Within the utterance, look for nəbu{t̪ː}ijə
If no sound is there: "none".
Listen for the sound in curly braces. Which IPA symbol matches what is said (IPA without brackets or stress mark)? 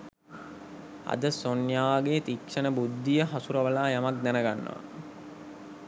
d̪ː